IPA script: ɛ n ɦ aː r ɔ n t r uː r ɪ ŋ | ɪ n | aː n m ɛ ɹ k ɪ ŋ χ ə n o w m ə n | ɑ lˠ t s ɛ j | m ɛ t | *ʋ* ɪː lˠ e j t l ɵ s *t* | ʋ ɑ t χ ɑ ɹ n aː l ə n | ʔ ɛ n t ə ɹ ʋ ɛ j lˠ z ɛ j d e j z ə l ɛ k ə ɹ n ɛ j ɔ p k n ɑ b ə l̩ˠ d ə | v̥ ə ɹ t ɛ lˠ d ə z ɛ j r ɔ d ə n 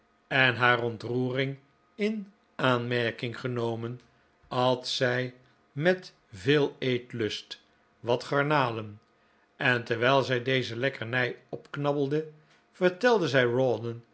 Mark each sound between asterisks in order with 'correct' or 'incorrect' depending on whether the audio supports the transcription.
incorrect: v, correct

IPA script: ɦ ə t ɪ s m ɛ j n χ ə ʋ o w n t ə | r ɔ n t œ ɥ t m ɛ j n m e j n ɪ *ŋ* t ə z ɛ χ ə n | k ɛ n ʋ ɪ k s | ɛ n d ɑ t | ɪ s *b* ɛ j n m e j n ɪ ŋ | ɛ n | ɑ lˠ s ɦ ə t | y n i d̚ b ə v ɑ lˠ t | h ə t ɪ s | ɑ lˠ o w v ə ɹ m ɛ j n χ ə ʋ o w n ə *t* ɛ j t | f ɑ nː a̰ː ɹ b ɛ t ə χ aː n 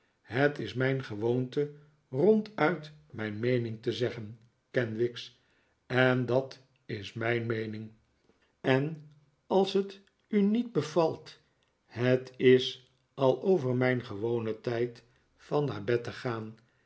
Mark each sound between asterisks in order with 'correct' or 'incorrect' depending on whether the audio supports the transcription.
correct, incorrect: m, correct

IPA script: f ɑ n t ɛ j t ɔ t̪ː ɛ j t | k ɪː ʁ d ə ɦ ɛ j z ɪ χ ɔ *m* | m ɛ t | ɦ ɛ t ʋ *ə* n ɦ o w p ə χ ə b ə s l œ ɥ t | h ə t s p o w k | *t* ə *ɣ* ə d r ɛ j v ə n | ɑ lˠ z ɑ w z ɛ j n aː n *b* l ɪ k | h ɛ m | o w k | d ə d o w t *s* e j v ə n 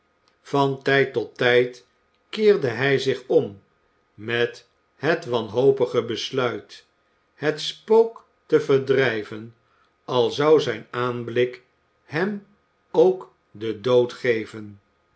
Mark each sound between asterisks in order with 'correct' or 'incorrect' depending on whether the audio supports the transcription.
correct, incorrect: ɑ, correct, incorrect: v, correct, incorrect: χ

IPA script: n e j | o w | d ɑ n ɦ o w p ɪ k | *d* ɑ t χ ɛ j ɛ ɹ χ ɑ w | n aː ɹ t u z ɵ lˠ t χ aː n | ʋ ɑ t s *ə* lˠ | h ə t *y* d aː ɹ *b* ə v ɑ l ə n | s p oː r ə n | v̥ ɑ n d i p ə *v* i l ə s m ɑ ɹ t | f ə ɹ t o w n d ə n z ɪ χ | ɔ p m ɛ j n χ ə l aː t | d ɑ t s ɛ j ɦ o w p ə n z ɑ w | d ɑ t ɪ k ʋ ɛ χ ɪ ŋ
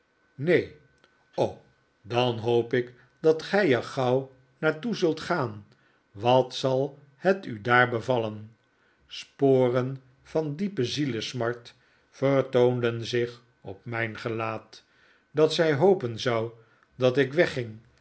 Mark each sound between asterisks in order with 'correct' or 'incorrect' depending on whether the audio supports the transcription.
correct, incorrect: ɑ, correct, correct, incorrect: z

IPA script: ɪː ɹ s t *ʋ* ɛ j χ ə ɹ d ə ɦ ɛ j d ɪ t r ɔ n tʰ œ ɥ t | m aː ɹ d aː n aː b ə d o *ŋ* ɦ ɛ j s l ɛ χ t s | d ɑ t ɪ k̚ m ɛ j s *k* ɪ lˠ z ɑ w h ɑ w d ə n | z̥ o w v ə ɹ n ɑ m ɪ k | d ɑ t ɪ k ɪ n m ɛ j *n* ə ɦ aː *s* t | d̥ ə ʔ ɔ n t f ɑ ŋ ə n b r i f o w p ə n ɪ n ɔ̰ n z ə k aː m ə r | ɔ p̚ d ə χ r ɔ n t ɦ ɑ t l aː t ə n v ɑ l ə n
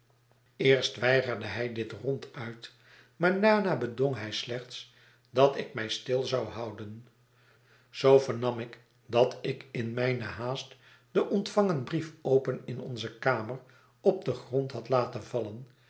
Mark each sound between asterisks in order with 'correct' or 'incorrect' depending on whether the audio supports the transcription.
correct, correct, incorrect: t, correct, correct

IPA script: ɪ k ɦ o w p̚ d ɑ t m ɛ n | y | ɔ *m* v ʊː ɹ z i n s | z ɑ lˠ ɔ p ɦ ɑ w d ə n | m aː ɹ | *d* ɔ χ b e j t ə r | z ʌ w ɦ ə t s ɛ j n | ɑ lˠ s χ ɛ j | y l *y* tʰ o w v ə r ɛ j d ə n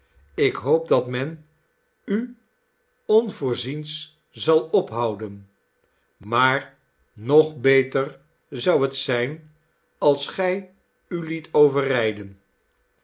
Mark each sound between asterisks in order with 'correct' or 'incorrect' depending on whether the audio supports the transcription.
incorrect: n, incorrect: n, incorrect: i

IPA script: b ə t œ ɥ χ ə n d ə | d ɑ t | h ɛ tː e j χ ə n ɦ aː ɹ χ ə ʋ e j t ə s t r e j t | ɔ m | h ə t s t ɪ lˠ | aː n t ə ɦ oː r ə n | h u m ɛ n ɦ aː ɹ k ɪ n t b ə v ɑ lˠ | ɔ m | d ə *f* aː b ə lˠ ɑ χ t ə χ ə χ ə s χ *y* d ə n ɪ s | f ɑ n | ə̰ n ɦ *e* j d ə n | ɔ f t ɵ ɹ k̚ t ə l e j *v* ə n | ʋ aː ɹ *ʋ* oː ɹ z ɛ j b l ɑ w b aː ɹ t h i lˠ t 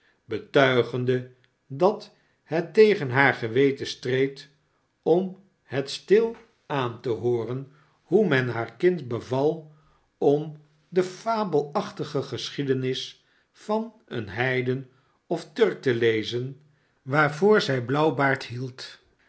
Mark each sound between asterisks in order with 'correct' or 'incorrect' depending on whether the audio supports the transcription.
correct, incorrect: i, incorrect: ɛ, incorrect: z, incorrect: v

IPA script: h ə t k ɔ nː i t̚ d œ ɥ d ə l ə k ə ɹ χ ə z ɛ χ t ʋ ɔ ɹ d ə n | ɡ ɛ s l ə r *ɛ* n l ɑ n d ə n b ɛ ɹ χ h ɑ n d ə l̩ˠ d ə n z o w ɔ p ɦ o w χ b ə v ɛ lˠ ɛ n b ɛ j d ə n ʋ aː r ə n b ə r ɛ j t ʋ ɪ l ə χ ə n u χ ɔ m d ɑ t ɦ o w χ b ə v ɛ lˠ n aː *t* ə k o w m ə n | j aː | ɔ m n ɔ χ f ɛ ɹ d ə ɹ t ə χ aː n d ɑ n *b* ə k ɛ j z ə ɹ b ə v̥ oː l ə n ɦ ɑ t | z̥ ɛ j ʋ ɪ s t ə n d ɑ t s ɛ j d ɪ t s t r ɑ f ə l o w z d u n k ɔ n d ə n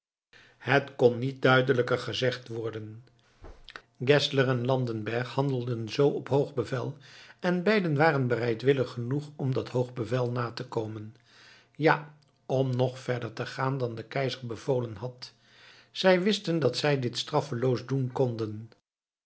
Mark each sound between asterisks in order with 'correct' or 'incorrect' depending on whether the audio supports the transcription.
correct, correct, incorrect: d

